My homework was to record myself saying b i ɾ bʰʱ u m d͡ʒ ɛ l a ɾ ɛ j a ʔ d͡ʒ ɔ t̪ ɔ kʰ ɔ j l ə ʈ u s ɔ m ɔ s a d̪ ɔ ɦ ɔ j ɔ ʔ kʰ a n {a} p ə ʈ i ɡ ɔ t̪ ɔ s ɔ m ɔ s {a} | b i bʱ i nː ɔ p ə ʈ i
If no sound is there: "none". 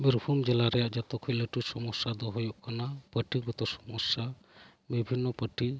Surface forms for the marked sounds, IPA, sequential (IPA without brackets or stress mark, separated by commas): a, a